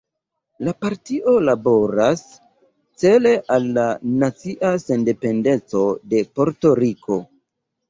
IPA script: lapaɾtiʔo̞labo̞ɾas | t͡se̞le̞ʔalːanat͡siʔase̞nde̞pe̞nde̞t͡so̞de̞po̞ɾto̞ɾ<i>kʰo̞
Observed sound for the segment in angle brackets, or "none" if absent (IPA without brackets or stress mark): i